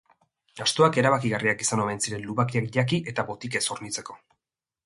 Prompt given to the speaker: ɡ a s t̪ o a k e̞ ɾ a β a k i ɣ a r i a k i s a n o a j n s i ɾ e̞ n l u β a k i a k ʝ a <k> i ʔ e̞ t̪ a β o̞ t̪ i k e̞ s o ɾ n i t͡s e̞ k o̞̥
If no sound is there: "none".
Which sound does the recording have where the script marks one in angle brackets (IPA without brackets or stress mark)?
k